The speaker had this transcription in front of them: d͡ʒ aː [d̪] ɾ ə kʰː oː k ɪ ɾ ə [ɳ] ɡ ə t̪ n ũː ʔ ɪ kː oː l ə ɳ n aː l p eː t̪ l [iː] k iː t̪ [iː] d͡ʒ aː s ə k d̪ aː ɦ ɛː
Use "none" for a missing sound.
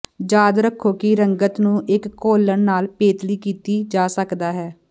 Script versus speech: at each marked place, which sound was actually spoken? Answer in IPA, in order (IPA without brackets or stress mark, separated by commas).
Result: d̪, ŋ, iː, iː